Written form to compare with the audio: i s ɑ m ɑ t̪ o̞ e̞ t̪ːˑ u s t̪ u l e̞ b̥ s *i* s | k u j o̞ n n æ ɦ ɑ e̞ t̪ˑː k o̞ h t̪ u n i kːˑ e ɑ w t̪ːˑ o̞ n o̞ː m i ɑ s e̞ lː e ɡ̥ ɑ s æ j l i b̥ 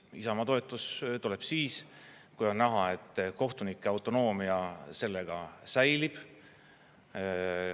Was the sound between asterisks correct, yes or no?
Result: no